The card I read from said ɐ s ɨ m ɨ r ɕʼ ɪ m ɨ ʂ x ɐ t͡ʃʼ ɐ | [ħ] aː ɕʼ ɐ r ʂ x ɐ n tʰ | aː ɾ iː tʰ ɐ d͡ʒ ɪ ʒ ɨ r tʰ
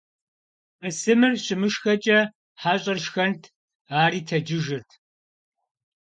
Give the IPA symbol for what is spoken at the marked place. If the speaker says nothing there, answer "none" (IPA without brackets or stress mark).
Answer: ħ